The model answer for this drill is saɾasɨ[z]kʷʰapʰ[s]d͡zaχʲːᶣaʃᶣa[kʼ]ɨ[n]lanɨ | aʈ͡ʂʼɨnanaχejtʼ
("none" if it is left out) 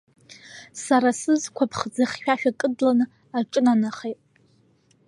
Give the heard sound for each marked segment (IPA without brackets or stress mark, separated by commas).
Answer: z, χ, kʼ, d